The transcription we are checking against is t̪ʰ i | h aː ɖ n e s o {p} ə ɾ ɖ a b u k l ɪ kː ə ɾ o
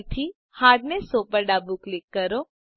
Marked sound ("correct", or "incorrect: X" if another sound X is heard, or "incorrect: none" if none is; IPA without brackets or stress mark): correct